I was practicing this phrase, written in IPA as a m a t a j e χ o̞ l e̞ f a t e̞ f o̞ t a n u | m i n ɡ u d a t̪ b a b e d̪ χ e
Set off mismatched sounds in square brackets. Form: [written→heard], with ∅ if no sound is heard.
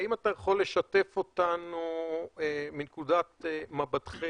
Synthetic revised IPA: [a→i] m a t a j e χ o̞ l e̞ [f→ʃ] a t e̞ f o̞ t a n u | m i n [ɡ→k] u d a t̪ [b→m] a b [e→a] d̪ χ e